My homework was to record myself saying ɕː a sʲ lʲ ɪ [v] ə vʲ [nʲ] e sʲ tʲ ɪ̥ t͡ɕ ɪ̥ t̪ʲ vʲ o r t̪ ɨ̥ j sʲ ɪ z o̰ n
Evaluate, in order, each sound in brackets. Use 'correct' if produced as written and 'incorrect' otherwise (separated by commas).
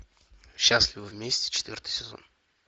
correct, incorrect